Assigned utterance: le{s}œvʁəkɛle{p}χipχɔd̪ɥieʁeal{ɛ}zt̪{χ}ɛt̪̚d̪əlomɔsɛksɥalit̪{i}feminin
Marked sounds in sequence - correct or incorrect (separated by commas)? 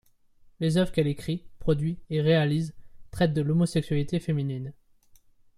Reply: incorrect, incorrect, incorrect, correct, incorrect